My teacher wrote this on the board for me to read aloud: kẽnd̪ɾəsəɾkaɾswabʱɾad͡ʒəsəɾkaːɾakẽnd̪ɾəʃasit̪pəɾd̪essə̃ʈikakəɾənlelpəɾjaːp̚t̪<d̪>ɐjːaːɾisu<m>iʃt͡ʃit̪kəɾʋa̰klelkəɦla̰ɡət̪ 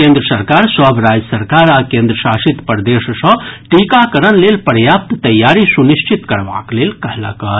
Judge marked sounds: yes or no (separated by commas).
no, no